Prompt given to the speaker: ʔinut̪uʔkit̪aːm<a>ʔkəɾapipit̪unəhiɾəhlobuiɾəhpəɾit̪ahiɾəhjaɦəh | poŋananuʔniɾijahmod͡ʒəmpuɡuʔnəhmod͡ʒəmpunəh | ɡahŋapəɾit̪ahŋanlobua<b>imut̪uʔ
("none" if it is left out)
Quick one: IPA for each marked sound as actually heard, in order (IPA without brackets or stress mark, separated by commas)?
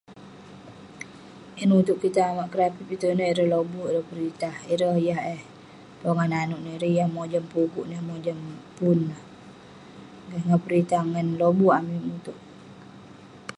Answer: a, m